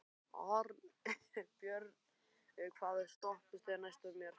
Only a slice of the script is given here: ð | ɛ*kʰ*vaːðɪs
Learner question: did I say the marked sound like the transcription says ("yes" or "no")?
yes